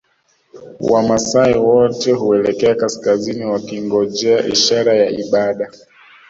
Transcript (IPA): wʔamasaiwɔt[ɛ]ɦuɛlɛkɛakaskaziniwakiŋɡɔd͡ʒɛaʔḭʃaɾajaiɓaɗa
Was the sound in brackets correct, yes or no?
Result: yes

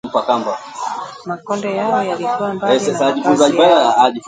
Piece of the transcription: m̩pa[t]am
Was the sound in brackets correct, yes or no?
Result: no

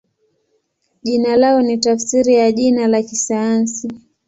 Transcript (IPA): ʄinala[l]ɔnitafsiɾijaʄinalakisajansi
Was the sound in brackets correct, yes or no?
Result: no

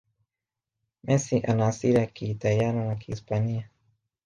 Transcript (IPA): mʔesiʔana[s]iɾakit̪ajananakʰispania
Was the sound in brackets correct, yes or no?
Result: yes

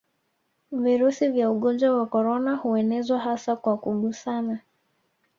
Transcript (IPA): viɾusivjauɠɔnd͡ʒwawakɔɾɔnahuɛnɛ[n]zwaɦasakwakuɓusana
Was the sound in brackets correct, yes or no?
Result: no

